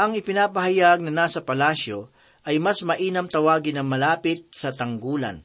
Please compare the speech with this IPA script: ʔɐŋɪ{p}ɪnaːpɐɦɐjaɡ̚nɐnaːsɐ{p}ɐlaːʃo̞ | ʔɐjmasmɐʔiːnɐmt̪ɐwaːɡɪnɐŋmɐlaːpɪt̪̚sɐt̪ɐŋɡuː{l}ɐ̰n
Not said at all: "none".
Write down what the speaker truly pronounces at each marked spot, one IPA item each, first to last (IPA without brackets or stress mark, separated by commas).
p, p, l